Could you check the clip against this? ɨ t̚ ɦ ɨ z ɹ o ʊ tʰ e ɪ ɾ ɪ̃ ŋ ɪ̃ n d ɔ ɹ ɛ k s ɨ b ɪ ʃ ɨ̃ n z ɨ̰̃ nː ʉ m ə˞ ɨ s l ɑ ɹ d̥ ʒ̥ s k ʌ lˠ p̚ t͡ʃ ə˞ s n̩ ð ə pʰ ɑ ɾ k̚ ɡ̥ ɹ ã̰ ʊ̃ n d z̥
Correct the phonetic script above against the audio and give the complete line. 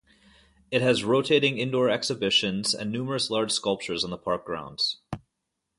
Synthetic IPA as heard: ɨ t̚ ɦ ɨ z ɹ o ʊ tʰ e ɪ ɾ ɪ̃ ŋ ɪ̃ n d ɔ ɹ ɛ k s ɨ b ɪ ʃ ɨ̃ n z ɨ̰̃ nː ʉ m ə˞ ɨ s l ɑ ɹ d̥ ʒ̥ s k ʌ lˠ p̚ t͡ʃ ə˞ z n̩ ð ə pʰ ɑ ɹ k̚ ɡ̥ ɹ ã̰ ʊ̃ n d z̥